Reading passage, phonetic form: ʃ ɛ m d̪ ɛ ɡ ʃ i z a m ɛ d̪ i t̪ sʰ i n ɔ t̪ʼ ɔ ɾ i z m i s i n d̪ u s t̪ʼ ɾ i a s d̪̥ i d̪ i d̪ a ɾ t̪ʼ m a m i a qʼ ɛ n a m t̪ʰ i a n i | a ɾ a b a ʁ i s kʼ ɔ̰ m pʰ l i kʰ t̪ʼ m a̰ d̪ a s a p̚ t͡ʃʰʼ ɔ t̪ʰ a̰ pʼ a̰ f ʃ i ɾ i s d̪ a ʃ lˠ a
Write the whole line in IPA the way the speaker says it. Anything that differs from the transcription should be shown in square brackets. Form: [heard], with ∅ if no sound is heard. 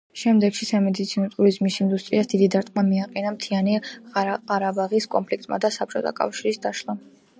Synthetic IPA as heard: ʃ ɛ m d̪ ɛ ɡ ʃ i [s] a m ɛ d̪ i t̪ sʰ i n ɔ t̪ʼ [u] ɾ i z m i s i n d̪ u s t̪ʼ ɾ i a s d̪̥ i d̪ i d̪ a ɾ t̪ʼ m a m i a qʼ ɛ n a m t̪ʰ i a n i | a ɾ a b a ʁ i s kʼ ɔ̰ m pʰ l i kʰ t̪ʼ m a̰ d̪ a s a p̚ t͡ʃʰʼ ɔ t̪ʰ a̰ [kʼ] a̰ f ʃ i ɾ i s d̪ a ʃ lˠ a